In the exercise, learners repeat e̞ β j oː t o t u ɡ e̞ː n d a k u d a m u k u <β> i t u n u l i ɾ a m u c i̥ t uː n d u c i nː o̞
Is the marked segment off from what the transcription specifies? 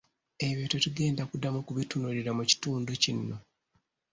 no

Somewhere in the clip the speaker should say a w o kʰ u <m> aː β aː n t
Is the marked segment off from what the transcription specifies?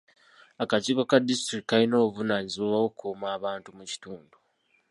no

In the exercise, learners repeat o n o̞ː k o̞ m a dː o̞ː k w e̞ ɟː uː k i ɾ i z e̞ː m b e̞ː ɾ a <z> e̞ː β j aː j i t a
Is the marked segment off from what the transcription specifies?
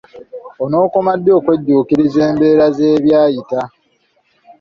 no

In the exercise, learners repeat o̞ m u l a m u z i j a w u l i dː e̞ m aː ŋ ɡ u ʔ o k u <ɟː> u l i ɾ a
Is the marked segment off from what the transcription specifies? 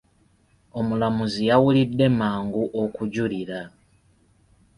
yes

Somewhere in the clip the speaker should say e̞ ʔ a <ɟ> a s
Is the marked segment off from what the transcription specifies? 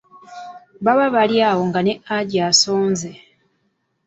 no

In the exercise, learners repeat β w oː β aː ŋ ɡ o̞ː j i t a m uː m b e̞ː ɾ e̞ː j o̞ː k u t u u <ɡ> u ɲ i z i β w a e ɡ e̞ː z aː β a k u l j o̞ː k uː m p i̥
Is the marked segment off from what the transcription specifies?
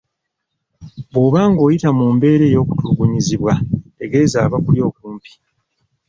no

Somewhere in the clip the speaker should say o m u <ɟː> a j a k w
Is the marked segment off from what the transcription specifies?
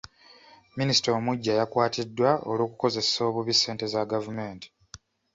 no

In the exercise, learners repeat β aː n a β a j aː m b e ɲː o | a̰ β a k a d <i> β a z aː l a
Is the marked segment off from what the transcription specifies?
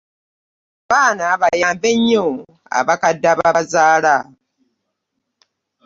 yes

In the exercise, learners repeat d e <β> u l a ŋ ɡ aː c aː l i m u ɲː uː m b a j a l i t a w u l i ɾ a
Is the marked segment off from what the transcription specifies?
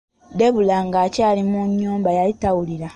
no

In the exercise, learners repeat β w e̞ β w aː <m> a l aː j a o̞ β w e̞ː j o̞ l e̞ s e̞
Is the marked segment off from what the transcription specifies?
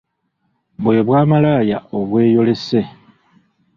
no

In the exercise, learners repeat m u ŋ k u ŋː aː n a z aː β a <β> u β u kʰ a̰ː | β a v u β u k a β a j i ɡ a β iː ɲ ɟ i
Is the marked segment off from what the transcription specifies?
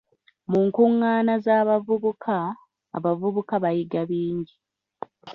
yes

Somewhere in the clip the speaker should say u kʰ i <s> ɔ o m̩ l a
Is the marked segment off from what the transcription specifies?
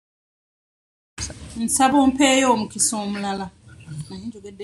no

